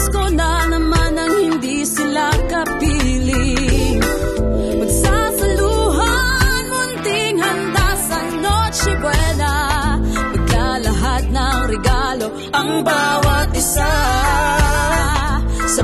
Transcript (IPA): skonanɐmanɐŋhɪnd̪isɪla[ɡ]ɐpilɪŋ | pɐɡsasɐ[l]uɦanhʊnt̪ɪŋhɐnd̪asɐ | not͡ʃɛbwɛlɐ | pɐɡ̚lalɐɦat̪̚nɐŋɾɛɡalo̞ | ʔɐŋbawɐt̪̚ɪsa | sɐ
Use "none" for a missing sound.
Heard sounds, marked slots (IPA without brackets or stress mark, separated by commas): k, l